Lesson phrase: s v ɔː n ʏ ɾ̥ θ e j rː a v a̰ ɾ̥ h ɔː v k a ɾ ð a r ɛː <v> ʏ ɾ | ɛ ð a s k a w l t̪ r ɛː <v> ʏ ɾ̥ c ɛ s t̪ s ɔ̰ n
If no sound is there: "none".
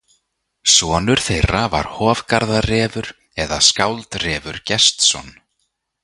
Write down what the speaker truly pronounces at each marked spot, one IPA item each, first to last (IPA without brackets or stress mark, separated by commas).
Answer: v, v